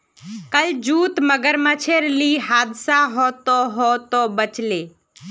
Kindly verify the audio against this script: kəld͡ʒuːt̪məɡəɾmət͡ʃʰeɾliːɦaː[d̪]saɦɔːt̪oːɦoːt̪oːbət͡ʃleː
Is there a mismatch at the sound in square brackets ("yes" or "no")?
no